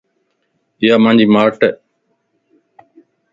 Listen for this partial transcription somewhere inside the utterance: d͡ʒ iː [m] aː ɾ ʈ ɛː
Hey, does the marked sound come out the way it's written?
yes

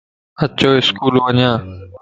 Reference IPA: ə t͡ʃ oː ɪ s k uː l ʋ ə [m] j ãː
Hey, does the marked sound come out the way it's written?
no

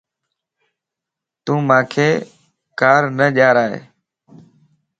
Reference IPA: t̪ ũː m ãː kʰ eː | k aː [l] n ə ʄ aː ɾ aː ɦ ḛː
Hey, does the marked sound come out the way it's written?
no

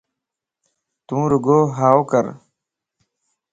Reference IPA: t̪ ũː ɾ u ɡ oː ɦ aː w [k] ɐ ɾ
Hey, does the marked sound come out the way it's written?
yes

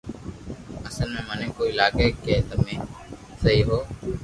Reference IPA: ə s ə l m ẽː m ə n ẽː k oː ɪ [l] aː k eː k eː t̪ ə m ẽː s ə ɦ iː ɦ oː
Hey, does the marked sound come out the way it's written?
yes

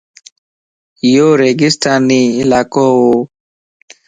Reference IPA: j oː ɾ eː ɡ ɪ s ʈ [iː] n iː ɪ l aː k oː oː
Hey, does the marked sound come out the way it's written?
no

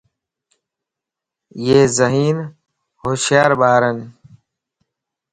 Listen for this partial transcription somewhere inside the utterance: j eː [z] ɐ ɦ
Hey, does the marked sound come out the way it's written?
yes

